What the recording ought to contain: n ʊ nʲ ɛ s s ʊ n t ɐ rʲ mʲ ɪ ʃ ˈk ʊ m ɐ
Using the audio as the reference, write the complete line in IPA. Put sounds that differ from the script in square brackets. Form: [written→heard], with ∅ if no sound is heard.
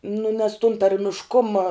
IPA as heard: n ʊ nʲ ɛ s [s→t] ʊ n t ɐ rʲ mʲ ɪ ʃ ˈk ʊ m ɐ